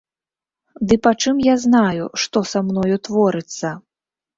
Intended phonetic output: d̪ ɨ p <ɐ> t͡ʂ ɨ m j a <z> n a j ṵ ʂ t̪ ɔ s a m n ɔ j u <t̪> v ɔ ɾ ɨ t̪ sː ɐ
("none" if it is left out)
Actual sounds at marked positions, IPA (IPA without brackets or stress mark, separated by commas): a, z, t̪